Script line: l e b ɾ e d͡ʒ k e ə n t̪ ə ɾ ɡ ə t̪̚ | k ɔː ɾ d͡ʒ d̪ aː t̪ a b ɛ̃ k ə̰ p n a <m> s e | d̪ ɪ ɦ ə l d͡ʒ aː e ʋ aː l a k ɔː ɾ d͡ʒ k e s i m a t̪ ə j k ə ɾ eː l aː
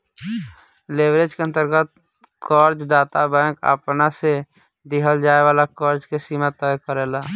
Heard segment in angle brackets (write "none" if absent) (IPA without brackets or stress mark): none